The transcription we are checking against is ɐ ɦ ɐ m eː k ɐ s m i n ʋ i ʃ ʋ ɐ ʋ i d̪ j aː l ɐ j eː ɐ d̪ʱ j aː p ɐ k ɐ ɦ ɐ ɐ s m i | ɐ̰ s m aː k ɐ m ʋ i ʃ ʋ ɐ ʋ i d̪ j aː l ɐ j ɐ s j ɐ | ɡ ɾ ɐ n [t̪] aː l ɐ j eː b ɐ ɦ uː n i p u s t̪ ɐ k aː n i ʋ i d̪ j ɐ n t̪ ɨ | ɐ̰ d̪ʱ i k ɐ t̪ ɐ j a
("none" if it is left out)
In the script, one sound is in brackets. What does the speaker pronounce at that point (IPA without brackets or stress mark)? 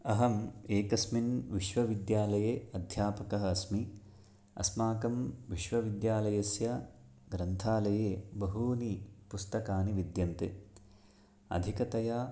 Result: t̪ʰ